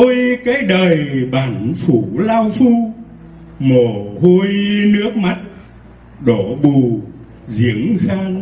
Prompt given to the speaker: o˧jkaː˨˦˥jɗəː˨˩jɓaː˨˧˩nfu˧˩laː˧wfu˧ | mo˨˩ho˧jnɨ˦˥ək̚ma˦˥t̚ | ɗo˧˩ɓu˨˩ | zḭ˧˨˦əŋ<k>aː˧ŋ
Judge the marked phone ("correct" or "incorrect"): incorrect